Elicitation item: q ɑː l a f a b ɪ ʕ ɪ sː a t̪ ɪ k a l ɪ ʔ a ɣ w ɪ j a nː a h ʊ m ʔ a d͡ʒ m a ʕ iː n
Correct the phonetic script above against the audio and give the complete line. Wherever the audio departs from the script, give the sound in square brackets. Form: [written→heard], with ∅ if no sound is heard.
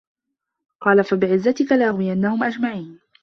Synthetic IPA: q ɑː l a f a b ɪ ʕ ɪ [sː→zː] a t̪ ɪ k a l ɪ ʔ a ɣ w ɪ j a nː a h ʊ m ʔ a d͡ʒ m a ʕ iː n